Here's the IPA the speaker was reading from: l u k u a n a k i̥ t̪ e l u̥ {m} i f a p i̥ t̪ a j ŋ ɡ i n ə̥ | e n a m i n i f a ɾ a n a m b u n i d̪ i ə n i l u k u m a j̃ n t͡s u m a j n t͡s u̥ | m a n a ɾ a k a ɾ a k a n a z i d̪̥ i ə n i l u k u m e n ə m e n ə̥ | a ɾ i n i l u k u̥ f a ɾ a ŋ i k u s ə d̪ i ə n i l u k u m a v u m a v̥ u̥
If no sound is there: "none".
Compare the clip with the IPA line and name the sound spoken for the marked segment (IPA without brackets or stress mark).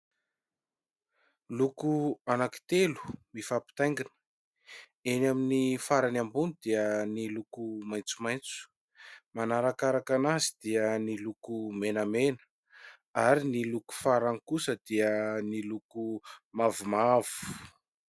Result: m